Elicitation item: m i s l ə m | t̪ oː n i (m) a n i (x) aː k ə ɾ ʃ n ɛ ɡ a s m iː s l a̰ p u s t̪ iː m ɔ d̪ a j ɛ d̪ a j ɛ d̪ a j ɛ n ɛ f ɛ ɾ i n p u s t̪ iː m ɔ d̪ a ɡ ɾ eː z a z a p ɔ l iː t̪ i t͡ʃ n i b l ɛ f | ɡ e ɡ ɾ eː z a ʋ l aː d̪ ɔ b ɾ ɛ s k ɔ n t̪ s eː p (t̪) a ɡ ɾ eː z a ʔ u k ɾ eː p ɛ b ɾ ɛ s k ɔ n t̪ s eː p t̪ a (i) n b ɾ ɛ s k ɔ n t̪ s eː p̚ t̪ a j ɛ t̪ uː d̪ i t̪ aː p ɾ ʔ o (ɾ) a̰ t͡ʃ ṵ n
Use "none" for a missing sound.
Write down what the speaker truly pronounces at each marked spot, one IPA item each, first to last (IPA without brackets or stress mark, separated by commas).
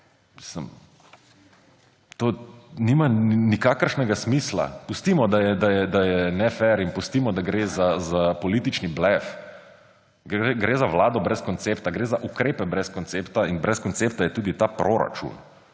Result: m, k, t̪, i, ɾ